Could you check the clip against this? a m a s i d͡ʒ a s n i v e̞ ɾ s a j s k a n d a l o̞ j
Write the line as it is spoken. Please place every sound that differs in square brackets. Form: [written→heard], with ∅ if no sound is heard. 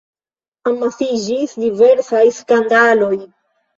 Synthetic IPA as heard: a m a s i d͡ʒ [a→i] s [n→d] i v e̞ ɾ s a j s k a n d a l o̞ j